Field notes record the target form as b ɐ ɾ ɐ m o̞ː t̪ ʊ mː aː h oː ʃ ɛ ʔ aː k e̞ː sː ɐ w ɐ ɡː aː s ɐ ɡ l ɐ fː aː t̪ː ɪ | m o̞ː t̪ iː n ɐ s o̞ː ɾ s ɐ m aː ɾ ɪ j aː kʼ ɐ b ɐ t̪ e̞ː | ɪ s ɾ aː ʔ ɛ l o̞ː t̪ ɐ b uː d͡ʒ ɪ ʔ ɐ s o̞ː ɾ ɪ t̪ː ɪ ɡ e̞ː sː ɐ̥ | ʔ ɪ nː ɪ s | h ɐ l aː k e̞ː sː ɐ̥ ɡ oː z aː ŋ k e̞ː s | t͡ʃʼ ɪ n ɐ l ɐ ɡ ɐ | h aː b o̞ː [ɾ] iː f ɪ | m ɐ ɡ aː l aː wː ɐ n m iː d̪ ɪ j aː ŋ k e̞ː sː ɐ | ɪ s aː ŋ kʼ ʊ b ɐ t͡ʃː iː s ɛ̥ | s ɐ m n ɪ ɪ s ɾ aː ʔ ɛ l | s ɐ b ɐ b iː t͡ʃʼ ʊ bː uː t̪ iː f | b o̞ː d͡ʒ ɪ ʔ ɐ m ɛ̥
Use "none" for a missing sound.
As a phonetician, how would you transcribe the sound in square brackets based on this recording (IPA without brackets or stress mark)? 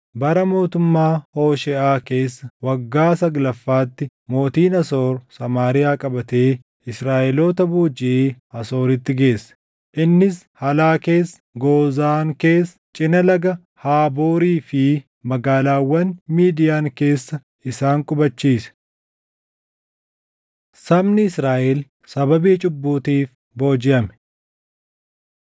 ɾ